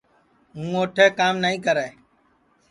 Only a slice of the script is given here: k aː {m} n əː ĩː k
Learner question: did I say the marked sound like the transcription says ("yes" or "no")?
yes